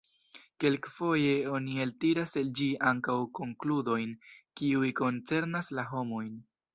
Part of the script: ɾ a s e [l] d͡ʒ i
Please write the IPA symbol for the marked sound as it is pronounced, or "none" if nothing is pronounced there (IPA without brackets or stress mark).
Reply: l